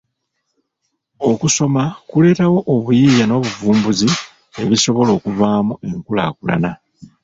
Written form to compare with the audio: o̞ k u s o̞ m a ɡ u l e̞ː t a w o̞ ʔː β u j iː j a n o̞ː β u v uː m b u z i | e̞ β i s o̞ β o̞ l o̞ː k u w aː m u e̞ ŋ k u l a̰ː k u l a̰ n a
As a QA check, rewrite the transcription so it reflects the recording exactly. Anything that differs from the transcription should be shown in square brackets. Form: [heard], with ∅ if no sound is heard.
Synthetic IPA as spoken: o̞ k u s o̞ m a [k] u l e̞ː t a w o̞ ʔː β u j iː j a n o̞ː β u v uː m b u z i | e̞ β i s o̞ β o̞ l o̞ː k u [v] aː m u e̞ ŋ k u l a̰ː k u l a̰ n a